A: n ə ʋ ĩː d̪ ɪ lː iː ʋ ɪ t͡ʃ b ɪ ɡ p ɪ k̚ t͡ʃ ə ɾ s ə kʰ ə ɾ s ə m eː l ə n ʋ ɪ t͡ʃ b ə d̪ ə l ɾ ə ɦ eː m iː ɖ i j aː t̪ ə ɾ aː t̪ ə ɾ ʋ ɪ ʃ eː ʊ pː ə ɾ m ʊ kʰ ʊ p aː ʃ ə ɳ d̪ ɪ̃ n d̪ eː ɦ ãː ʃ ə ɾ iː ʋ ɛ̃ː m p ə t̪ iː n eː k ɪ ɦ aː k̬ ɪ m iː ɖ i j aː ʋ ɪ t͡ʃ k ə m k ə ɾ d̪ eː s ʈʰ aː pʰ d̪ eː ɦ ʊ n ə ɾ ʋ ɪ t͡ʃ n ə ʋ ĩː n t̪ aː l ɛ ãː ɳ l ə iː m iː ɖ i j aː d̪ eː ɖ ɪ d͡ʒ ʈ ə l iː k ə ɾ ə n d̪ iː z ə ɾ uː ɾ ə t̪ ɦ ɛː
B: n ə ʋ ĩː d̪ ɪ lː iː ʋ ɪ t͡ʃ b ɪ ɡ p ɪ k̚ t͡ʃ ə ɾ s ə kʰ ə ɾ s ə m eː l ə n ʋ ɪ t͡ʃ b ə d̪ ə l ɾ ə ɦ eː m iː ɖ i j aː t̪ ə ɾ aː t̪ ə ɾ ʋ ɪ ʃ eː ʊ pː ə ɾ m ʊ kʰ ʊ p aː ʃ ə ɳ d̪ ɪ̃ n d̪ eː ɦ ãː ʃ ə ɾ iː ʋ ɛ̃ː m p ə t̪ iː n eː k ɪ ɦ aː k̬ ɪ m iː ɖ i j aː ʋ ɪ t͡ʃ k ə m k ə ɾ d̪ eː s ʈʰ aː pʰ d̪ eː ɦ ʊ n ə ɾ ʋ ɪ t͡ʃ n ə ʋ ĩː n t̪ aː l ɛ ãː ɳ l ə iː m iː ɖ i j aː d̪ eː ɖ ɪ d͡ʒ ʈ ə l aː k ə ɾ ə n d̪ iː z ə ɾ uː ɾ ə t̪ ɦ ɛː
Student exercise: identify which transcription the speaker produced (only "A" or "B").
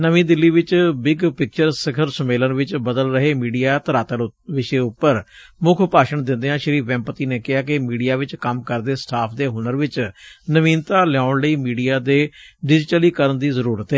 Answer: A